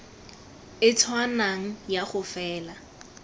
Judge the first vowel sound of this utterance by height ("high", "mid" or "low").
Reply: high